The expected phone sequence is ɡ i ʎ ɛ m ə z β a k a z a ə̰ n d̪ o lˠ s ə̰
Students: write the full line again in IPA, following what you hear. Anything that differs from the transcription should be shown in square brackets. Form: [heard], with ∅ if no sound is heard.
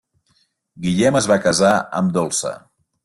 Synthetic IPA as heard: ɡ i ʎ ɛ m ə z β a k [ə] z a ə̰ [m] d̪ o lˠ s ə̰